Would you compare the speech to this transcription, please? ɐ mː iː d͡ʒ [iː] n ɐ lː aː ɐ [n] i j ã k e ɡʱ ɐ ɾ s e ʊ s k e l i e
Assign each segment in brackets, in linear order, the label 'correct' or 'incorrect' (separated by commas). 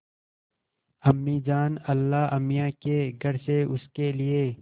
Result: incorrect, incorrect